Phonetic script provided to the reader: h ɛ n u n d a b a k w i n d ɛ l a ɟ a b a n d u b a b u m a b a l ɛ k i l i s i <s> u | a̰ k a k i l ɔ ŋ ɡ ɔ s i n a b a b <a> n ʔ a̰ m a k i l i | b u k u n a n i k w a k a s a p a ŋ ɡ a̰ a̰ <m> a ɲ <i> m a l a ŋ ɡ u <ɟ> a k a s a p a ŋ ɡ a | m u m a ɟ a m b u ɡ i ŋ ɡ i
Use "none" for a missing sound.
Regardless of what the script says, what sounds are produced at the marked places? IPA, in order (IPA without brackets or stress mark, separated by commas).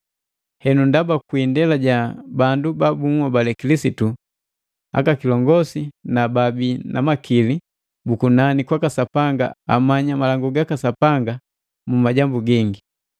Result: t, i, m, a, ɡ